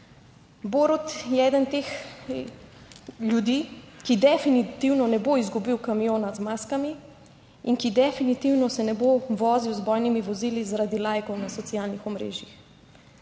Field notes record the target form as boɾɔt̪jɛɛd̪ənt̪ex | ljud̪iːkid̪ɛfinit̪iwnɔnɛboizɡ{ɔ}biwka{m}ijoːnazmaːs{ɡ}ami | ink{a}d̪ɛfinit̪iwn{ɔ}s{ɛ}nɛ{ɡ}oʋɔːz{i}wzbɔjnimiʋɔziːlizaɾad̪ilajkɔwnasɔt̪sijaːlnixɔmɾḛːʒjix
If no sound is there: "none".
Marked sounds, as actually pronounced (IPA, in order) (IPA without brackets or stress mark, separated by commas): u, m, k, i, ɔ, ɛ, b, i